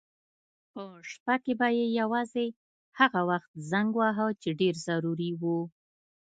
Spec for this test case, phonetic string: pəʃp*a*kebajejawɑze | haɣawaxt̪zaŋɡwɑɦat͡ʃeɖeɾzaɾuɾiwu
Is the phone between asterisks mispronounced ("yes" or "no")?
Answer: no